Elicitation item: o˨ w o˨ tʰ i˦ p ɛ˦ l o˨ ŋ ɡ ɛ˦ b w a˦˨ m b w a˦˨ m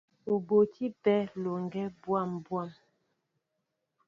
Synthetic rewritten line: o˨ b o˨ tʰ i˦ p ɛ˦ l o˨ ŋ ɡ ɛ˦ b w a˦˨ m b w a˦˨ m